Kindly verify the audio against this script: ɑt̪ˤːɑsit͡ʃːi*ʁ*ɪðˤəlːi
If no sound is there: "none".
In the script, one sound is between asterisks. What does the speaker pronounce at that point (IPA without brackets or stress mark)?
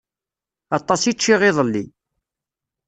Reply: ʁ